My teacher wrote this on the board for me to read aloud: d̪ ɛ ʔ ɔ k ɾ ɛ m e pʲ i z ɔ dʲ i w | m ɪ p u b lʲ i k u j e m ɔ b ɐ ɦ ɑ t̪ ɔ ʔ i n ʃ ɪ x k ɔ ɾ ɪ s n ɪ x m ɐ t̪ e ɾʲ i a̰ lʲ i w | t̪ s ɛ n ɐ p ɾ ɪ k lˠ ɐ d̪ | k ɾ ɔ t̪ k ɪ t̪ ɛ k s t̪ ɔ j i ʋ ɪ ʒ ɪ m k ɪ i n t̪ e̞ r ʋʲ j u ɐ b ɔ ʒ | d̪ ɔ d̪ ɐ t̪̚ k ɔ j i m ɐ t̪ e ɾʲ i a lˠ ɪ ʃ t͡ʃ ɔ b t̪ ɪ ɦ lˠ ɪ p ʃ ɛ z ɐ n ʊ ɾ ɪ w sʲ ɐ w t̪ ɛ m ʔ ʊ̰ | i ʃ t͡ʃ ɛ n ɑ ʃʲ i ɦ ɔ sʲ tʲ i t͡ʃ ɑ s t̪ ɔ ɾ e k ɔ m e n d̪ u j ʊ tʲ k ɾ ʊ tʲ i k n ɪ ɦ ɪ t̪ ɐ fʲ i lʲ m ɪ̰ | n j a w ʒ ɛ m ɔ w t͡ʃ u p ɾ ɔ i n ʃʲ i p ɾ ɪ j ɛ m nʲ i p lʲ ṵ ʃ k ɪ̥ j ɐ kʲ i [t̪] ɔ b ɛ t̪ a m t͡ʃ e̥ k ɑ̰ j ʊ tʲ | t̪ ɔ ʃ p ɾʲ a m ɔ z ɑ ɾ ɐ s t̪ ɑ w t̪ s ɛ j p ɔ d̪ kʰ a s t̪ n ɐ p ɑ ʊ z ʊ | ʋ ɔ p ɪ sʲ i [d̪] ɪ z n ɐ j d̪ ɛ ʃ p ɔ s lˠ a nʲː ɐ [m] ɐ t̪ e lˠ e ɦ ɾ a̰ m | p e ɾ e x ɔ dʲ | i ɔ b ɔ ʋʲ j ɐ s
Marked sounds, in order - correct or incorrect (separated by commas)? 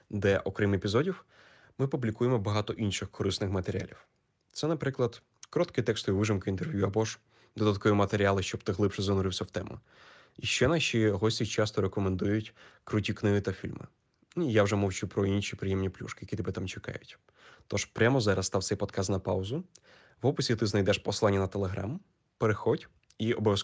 correct, incorrect, incorrect